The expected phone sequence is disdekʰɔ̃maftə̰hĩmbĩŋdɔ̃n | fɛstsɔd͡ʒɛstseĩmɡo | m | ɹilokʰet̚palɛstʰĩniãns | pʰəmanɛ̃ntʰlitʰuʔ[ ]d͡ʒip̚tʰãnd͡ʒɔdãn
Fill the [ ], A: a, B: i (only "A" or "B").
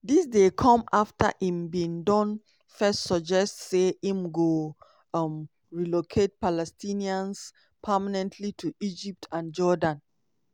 B